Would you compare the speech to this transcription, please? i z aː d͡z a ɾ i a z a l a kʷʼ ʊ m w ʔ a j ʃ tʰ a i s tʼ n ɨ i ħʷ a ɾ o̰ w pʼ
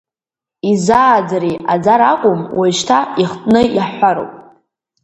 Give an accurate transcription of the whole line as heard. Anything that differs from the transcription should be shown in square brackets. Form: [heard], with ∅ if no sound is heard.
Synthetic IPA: i z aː d͡z a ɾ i a [d͡z] a [ɾ] a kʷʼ ʊ m w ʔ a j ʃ tʰ a i [χ] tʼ n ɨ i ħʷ a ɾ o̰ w pʼ